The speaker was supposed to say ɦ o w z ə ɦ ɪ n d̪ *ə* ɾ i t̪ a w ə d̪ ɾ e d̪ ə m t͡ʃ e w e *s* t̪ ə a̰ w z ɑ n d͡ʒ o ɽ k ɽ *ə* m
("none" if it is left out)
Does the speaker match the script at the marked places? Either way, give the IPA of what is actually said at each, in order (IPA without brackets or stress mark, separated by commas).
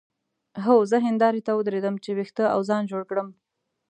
ɑ, x, ə